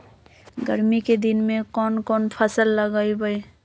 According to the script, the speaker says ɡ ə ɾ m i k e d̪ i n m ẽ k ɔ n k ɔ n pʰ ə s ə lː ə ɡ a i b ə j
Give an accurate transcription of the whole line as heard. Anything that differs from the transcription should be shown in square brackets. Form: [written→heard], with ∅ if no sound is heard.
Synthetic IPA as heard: ɡ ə ɾ m i k e d̪ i n m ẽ k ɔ n k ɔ n pʰ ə s ə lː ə ɡ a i b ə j